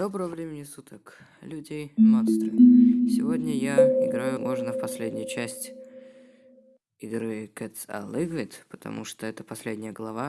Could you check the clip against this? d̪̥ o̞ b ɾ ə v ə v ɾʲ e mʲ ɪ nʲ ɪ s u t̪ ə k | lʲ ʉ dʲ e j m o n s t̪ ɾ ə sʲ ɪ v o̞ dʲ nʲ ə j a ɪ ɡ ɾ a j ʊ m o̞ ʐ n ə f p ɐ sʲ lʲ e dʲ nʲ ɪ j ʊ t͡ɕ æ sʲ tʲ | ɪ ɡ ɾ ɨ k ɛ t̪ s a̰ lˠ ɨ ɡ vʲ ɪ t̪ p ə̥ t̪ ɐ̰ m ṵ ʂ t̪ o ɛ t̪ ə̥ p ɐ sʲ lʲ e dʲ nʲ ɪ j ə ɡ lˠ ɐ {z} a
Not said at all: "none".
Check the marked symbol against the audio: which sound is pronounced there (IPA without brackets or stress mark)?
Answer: v